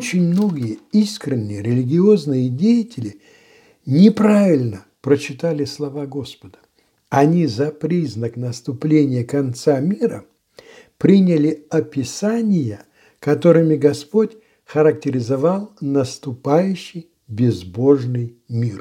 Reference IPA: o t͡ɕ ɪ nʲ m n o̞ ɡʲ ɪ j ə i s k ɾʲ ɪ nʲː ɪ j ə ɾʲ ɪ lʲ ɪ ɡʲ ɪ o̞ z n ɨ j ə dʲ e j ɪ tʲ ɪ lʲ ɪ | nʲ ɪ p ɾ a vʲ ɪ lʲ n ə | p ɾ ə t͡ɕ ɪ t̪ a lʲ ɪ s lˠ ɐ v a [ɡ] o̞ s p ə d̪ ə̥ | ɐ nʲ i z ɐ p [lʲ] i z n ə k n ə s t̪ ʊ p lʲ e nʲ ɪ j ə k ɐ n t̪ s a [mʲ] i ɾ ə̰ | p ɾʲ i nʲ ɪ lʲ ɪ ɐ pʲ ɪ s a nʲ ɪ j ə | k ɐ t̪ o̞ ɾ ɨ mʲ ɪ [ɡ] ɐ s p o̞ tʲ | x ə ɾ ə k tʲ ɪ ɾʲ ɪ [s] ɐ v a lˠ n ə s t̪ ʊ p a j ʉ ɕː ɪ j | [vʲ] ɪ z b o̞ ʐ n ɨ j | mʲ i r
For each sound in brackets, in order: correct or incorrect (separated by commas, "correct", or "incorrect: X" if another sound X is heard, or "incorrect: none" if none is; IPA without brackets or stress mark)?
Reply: correct, incorrect: ɾʲ, correct, correct, incorrect: z, incorrect: bʲ